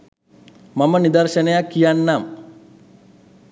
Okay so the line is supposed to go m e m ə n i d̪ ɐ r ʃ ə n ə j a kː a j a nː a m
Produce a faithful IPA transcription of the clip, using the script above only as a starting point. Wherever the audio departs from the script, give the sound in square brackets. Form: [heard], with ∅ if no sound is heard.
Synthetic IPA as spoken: m [a] m ə n i d̪ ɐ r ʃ ə n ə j a kː [i] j a nː a m

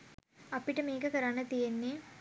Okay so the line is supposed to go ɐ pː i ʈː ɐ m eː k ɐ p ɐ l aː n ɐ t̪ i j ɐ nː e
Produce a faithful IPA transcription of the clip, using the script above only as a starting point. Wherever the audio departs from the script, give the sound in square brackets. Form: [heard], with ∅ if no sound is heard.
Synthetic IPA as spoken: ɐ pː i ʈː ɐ m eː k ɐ [k] ɐ [ɾ] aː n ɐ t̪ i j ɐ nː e

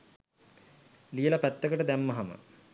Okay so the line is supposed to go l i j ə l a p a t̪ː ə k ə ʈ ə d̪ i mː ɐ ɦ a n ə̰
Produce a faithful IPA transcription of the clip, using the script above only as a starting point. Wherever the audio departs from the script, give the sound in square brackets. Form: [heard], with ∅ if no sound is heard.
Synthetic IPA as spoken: l i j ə l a p [æ] t̪ː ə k ə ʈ ə d̪ [æ] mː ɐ ɦ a [m] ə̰

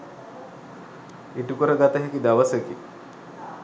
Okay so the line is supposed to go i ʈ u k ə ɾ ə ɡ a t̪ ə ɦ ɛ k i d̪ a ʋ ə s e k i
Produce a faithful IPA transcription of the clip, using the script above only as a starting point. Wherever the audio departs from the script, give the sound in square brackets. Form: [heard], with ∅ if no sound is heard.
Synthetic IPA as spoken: i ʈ u k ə ɾ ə ɡ a t̪ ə ɦ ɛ k i d̪ a ʋ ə s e k i

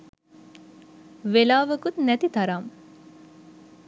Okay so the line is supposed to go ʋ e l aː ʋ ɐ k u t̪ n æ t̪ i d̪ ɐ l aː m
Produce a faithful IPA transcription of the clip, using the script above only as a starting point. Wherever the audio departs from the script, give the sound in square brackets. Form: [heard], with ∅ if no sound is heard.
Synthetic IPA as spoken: ʋ e l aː ʋ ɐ k u t̪ n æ t̪ i [t̪] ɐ [ɾ] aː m

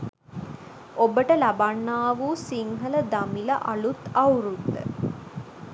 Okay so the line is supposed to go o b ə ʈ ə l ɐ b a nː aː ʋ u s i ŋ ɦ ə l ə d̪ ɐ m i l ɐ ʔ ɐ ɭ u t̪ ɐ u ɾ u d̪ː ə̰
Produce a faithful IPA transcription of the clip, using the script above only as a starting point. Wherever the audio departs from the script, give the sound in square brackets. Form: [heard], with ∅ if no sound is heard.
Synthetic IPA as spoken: o b ə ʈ ə l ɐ b a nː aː ʋ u s i ŋ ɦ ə l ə d̪ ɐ m i l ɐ ʔ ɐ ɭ u t̪ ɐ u ɾ u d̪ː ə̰

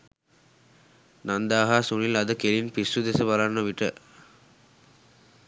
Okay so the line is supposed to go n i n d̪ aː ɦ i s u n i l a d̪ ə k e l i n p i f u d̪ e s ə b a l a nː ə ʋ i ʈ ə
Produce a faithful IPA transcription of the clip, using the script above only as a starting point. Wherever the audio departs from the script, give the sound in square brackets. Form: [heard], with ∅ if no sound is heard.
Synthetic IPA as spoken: n [a] n d̪ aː ɦ [a] s u n i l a d̪ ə k e l i n p i [s] u d̪ e s ə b a l a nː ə ʋ i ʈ ə

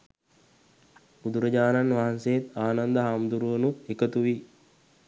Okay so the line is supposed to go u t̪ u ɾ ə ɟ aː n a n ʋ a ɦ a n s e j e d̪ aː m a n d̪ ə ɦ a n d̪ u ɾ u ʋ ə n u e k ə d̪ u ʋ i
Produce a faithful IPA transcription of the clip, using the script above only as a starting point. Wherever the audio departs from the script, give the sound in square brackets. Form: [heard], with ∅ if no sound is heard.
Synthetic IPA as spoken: u [d̪] u ɾ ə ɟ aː n a n ʋ a ɦ a n s e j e [t̪] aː [n] a n d̪ ə ɦ a [m] d̪ u ɾ u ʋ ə n u e k ə [t̪] u ʋ i

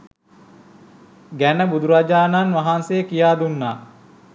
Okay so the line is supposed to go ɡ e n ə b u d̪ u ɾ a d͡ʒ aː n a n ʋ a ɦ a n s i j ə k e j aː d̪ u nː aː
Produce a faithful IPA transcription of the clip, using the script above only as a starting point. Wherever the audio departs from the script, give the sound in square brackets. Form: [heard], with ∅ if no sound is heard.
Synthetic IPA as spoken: ɡ [æ] n ə b u d̪ u ɾ a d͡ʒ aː n a n ʋ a ɦ a n s [e] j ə k [i] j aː d̪ u nː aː

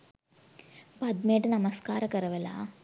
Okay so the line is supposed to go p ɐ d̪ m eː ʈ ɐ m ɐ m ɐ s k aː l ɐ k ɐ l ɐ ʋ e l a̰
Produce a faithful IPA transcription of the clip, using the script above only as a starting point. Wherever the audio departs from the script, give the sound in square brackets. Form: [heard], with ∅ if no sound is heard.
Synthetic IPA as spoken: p ɐ d̪ m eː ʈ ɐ [n] ɐ m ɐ s k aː [ɾ] ɐ k ɐ [ɾ] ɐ ʋ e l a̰

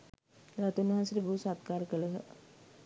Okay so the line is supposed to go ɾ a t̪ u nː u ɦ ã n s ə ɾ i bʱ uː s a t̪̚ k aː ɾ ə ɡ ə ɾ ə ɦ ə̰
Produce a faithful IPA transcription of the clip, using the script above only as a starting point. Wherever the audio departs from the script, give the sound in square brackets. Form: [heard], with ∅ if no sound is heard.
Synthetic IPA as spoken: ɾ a t̪ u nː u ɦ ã n s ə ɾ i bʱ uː s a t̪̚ k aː ɾ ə [k] ə [l] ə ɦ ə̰

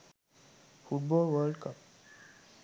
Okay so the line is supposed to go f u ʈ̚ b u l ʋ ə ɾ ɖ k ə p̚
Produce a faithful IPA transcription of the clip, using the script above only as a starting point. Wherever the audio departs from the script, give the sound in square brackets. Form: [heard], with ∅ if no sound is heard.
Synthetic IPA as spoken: f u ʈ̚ b [ɔ] l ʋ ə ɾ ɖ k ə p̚

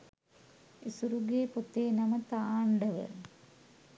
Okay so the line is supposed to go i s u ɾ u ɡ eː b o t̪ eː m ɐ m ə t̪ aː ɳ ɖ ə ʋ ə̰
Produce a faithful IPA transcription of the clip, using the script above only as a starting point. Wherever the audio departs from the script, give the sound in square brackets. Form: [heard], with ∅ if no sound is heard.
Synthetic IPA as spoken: i s u ɾ u ɡ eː [p] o t̪ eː [n] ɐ m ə t̪ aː ɳ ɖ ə ʋ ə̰

